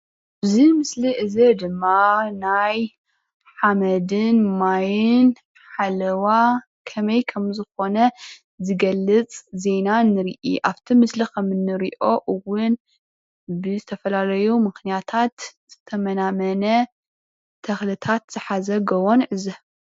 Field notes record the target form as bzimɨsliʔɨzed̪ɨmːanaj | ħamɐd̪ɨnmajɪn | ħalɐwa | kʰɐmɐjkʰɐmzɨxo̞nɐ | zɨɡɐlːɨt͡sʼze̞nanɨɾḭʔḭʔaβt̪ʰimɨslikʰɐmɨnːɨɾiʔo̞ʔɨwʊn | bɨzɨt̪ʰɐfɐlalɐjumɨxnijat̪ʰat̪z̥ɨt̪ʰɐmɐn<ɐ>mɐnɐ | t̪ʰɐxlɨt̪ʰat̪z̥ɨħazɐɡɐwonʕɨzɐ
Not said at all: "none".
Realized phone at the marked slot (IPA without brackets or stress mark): a